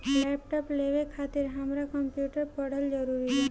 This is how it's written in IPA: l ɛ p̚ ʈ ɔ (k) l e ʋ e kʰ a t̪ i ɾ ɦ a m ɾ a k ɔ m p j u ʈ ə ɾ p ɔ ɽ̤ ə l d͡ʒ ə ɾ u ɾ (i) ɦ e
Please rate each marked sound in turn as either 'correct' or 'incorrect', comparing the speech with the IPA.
incorrect, correct

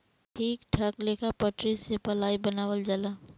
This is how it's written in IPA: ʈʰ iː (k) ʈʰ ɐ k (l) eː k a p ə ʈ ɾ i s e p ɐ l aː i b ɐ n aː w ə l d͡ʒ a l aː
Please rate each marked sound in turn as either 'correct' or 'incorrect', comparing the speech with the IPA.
correct, correct

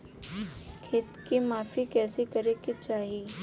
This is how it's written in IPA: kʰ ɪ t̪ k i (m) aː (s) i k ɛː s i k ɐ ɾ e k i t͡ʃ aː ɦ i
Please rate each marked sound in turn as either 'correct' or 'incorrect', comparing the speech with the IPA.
correct, incorrect

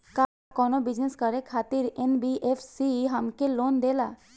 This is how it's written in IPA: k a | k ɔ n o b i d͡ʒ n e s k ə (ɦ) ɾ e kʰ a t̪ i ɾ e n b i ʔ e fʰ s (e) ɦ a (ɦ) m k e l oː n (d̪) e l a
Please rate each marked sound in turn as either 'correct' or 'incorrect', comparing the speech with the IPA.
incorrect, incorrect, incorrect, correct

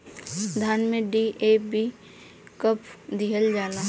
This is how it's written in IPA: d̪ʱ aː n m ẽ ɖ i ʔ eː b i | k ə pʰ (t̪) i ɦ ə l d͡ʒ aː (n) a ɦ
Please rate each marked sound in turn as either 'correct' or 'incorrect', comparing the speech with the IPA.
incorrect, correct

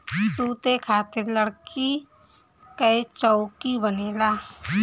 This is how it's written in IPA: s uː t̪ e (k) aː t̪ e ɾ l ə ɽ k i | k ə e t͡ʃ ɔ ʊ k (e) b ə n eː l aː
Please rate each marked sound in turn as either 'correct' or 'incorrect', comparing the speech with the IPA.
incorrect, incorrect

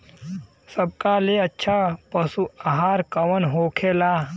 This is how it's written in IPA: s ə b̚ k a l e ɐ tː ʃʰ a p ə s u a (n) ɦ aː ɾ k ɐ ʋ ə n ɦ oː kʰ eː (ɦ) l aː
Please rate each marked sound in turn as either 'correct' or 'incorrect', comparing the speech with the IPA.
incorrect, incorrect

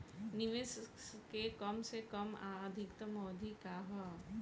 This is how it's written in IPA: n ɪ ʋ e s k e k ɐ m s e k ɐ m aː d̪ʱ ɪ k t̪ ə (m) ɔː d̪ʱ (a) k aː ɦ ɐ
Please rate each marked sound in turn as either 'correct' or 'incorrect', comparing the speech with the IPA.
correct, incorrect

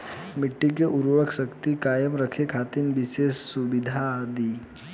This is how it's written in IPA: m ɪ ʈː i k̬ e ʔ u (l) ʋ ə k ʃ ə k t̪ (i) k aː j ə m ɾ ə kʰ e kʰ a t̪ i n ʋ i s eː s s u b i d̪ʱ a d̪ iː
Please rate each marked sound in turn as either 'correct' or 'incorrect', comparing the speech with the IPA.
incorrect, correct

